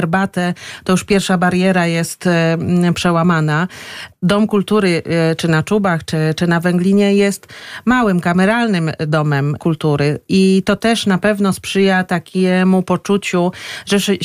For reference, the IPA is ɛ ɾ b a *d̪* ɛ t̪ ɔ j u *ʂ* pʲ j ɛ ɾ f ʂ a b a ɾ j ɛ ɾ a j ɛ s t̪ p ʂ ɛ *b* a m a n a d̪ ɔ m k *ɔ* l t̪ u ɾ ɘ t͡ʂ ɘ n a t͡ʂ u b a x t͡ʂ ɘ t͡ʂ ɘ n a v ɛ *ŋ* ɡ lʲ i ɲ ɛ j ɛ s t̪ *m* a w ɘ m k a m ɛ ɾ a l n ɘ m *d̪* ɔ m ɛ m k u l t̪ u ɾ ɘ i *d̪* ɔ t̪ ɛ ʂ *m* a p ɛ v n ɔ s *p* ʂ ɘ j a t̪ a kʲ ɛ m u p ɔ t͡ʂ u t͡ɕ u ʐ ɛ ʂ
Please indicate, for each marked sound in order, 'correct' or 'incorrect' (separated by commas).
incorrect, correct, incorrect, incorrect, correct, correct, correct, incorrect, incorrect, correct